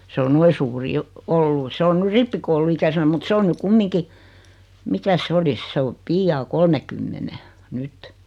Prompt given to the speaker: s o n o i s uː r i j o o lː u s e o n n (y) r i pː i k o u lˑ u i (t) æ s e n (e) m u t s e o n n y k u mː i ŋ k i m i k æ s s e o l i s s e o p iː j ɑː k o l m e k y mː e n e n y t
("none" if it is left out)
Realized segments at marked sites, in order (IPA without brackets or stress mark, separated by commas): y, k, æ